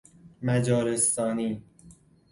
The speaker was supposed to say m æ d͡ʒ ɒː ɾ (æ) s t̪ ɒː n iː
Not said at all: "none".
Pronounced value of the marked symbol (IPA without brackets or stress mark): e